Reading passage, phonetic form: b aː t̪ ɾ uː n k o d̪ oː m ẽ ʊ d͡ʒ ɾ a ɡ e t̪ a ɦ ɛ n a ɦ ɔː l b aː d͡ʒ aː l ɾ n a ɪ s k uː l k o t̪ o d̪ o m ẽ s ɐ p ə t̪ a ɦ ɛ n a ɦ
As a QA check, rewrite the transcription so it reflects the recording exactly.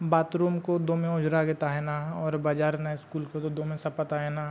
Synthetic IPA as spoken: b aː t̪ ɾ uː m k o d̪ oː m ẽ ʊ d͡ʒ ɾ a ɡ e t̪ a ɦ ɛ n a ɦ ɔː ɾ b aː d͡ʒ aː ɾ n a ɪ s k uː l k o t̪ o d̪ o m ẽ s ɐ p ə t̪ a ɦ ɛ n a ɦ

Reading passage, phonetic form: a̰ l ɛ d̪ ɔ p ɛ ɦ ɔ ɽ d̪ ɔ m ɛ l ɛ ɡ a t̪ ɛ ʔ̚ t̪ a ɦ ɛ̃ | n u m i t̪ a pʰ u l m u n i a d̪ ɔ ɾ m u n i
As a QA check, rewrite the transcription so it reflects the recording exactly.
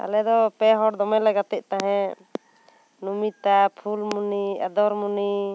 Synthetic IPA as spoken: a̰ l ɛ d̪ ɔ p ɛ ɦ ɔ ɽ d̪ ɔ m ɛ l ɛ ɡ a t̪ ɛ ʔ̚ t̪ a ɦ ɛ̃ | n u m i t̪ a pʰ u l m u n i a d̪ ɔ ɾ m u n i

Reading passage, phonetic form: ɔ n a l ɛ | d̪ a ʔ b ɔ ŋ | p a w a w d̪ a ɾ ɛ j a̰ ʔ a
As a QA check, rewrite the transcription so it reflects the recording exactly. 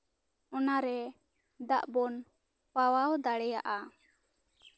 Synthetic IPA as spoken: ɔ n a ɾ ɛ | d̪ a ʔ b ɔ n | p a w a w d̪ a ɽ ɛ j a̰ ʔ a

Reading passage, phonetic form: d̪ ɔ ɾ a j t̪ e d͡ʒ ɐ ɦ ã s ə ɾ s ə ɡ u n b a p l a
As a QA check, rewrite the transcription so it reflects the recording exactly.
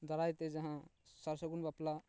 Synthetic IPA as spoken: d̪ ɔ ɾ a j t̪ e d͡ʒ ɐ ɦ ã s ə ɾ s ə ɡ u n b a p l a

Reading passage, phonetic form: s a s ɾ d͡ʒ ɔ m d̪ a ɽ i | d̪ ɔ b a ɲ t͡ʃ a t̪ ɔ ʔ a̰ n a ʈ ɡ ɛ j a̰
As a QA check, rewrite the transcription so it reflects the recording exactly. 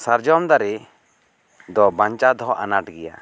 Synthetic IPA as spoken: s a ɾ d͡ʒ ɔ m d̪ a ɾ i | d̪ ɔ b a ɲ t͡ʃ a d̪ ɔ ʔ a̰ n a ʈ ɡ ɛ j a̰

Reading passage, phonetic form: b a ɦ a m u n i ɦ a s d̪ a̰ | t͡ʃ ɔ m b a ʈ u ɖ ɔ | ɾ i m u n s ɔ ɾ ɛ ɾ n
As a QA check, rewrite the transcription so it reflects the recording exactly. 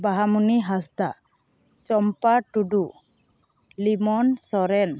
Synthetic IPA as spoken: b a ɦ a m u n i ɦ a s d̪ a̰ | t͡ʃ ɔ m p a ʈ u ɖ u | l i m ɔ n s ɔ ɾ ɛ n

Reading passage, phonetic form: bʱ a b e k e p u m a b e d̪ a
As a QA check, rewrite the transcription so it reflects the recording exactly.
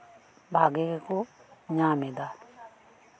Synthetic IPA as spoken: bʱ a ɡ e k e k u ɲ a m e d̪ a

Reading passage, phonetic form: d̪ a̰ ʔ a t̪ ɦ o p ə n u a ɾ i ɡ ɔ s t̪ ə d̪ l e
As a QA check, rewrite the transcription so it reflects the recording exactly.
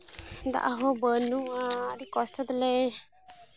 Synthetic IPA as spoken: d̪ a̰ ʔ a ɦ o b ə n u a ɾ i k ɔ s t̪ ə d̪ l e

